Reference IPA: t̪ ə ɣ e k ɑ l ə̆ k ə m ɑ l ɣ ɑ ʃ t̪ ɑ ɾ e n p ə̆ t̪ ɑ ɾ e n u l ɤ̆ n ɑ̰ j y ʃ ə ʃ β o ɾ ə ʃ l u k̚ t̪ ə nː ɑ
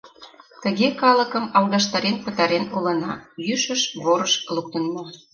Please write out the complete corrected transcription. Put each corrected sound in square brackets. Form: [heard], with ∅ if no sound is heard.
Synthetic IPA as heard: t̪ ə ɣ e k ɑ l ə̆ k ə m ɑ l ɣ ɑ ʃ t̪ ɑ ɾ e n p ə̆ t̪ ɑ ɾ e n u l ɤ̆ n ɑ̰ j y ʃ ə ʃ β o ɾ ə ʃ l u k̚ t̪ ə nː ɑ